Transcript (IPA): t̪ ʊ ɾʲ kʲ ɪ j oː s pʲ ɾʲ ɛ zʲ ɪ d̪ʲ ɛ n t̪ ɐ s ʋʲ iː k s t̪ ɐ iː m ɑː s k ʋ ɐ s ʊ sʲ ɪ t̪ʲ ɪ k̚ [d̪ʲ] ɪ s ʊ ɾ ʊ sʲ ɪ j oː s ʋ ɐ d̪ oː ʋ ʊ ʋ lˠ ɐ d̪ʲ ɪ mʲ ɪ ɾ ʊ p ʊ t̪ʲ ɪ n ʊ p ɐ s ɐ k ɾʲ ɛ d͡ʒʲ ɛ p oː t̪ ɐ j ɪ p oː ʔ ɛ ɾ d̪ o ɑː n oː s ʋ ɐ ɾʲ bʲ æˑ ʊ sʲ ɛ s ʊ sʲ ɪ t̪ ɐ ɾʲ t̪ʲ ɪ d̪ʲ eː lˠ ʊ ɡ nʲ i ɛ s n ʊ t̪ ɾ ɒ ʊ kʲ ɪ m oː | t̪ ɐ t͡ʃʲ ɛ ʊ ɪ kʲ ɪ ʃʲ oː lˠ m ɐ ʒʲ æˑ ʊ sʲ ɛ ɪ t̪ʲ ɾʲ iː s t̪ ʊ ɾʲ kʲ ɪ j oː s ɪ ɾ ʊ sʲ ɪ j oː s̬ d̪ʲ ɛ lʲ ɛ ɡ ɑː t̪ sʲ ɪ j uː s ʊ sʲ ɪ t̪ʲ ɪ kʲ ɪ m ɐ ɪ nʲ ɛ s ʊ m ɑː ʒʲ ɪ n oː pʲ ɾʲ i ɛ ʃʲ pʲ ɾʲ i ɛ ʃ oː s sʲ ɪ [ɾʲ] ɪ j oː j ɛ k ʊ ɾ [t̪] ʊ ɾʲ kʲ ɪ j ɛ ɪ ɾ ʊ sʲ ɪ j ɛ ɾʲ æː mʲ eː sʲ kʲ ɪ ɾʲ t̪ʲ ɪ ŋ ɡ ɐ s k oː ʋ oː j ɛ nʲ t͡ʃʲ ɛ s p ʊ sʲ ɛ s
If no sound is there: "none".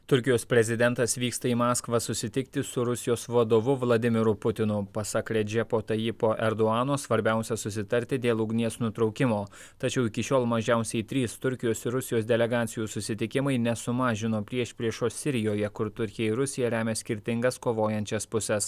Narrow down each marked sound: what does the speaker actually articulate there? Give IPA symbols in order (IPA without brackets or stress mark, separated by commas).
t̪ʲ, ɾʲ, t̪